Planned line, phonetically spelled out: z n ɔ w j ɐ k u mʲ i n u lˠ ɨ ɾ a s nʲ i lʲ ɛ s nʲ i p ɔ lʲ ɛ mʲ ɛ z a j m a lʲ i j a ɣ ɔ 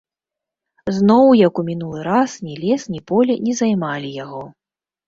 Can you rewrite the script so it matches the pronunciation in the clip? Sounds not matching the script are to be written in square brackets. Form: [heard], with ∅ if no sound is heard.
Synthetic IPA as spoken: z n ɔ w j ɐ k u mʲ i n u lˠ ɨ ɾ a s nʲ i lʲ ɛ s nʲ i p ɔ lʲ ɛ [nʲ] ɛ z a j m a lʲ i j a ɣ ɔ